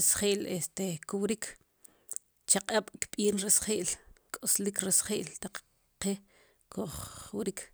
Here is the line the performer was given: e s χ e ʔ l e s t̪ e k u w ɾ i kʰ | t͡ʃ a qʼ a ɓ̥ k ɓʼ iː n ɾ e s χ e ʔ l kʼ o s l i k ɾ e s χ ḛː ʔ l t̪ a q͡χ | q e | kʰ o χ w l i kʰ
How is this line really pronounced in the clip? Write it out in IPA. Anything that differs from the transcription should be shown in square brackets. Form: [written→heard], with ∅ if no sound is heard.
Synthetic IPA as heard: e s χ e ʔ l e s t̪ e k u w ɾ i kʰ | t͡ʃ a qʼ a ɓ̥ k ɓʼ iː n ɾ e s χ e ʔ l kʼ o s l i k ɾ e s χ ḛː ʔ l t̪ a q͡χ | q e | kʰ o χ w [l→ɾ] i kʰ

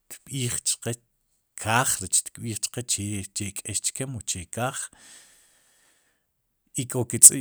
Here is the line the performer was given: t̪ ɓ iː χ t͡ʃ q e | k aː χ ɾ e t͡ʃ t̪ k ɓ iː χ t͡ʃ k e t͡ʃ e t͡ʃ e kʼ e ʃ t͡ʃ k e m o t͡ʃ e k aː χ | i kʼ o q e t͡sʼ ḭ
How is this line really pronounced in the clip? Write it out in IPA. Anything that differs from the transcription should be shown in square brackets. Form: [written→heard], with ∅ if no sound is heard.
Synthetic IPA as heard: t̪ ɓ iː χ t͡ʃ q e | [k→kʰ] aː χ ɾ e t͡ʃ t̪ k ɓ iː χ t͡ʃ [k→q] e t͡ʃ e t͡ʃ e kʼ e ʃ t͡ʃ k e m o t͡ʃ e k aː χ | i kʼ o [q→k] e t͡sʼ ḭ

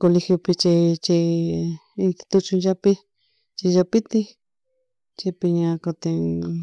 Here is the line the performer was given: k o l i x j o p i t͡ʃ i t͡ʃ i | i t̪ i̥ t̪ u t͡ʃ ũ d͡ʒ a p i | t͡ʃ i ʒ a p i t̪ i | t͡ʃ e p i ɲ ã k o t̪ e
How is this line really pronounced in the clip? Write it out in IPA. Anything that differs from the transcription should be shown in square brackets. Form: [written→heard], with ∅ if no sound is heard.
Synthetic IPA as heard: k o l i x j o p i t͡ʃ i t͡ʃ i | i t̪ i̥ t̪ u t͡ʃ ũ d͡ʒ a p i | t͡ʃ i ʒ a p i t̪ i | t͡ʃ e p i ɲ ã k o t̪ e

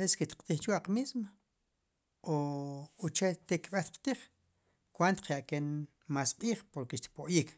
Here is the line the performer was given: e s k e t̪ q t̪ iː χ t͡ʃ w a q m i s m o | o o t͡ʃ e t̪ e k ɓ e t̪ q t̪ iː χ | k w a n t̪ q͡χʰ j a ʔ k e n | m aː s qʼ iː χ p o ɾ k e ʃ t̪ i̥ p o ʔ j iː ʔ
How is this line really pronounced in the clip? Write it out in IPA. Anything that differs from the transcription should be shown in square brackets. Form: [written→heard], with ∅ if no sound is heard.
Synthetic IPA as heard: e s k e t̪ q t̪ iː χ t͡ʃ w a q m i s m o | o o t͡ʃ e t̪ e k ɓ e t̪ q t̪ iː χ | k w a n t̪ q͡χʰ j a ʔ k e n | m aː s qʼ iː χ p o ɾ k e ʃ t̪ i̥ p o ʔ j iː [ʔ→k]

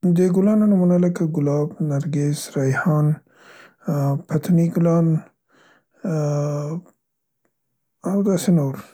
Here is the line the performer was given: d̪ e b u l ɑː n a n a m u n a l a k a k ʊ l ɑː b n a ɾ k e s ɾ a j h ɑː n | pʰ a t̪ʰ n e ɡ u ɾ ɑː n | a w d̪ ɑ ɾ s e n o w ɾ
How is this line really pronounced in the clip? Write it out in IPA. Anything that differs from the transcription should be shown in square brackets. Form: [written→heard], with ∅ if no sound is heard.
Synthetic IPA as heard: d̪ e [b→ɡ] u l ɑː n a n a m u n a l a k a [k→ɡ] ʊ l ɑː b n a ɾ [k→ɡ] e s ɾ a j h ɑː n | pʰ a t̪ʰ n [e→i] ɡ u [ɾ→l] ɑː n | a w d̪ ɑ [ɾ→∅] s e n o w ɾ

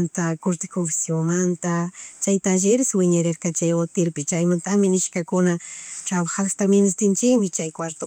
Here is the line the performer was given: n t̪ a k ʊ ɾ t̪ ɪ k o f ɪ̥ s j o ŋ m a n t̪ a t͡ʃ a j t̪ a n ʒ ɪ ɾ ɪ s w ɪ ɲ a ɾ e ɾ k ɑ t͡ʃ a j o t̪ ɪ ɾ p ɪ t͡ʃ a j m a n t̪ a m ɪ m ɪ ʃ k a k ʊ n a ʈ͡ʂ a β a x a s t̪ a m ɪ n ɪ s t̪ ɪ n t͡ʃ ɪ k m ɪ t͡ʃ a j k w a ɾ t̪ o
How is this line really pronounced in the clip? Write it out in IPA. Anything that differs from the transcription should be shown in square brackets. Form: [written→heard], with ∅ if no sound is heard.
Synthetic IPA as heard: n t̪ a k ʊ ɾ t̪ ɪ k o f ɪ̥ s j o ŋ m a n t̪ a t͡ʃ a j t̪ a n ʒ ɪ ɾ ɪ s w ɪ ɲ a ɾ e ɾ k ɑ t͡ʃ a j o t̪ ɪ ɾ p ɪ t͡ʃ a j m a n t̪ a m ɪ [m→n] ɪ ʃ k a k ʊ n a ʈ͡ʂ a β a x a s t̪ a m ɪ n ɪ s t̪ ɪ n t͡ʃ ɪ k m ɪ t͡ʃ a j k w a ɾ t̪ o

